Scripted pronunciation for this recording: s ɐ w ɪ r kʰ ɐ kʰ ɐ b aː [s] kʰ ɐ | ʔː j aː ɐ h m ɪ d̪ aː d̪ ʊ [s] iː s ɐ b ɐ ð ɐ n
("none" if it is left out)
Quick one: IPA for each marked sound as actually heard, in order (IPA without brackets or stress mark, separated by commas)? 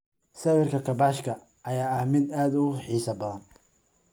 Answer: ʃ, ħ